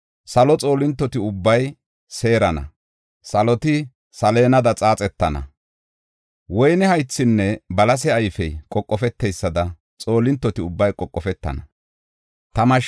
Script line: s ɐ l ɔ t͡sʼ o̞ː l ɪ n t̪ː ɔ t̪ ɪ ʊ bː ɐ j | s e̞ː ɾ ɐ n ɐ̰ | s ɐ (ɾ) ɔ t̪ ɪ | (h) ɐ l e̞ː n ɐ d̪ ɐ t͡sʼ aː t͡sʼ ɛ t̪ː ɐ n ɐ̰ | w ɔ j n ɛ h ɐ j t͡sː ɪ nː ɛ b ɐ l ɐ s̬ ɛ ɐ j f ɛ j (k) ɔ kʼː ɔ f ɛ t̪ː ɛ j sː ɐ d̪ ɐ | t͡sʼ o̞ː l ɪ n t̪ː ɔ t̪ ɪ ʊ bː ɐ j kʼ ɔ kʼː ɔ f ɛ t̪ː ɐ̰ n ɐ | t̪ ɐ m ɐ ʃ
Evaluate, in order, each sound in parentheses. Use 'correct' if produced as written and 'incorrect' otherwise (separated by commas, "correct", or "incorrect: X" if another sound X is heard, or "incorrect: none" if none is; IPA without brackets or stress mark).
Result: incorrect: l, incorrect: s, incorrect: kʼ